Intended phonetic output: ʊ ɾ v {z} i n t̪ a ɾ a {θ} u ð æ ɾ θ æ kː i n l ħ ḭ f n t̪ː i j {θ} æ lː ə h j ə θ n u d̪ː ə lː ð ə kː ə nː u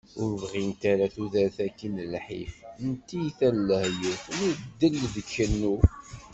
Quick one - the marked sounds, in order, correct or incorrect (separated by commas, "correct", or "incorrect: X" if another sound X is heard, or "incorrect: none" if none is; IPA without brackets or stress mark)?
incorrect: ʁ, correct, correct